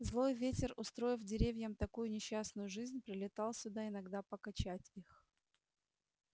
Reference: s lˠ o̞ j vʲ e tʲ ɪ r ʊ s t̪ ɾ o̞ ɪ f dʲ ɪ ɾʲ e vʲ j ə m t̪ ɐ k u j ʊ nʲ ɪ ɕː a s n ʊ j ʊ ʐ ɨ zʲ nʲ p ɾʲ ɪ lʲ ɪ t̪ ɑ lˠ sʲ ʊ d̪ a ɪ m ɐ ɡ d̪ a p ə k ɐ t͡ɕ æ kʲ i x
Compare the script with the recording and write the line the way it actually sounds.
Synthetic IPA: z lˠ o̞ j vʲ e tʲ ɪ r ʊ s t̪ ɾ o̞ ɪ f dʲ ɪ ɾʲ e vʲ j ə m t̪ ɐ k u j ʊ nʲ ɪ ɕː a s n ʊ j ʊ ʐ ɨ zʲ nʲ p ɾʲ ɪ lʲ ɪ t̪ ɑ lˠ sʲ ʊ d̪ a ɪ n ɐ ɡ d̪ a p ə k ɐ t͡ɕ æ tʲ i x